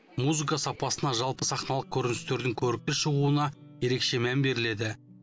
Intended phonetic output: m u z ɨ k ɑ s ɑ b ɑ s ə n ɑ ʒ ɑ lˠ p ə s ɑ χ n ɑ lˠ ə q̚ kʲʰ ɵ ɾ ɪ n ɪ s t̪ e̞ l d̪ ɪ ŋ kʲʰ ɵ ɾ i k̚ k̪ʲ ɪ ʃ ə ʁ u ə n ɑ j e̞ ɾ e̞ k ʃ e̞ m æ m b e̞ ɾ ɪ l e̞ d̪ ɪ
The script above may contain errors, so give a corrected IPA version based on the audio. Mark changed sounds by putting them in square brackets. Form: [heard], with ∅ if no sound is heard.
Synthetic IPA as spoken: m u z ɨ k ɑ s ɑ [p] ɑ s ə n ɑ ʒ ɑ lˠ p ə s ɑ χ n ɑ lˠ ə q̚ kʲʰ ɵ ɾ ɪ n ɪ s t̪ e̞ [ɾ] d̪ ɪ ŋ kʲʰ ɵ ɾ [ɪ] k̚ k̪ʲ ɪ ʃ ə ʁ u ə n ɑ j e̞ ɾ e̞ k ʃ e̞ m æ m b e̞ ɾ ɪ l e̞ d̪ ɪ